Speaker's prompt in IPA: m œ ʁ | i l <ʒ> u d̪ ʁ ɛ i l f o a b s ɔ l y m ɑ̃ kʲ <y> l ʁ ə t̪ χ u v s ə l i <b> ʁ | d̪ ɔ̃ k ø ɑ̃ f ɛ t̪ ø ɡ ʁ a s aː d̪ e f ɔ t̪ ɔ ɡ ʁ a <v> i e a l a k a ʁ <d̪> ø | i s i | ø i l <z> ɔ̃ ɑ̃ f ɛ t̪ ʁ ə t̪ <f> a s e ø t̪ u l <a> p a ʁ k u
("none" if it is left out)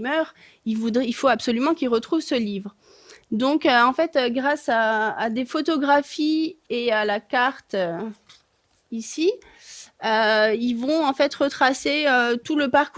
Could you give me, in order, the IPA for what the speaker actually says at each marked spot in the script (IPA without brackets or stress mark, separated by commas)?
v, i, v, f, t̪, v, χ, ə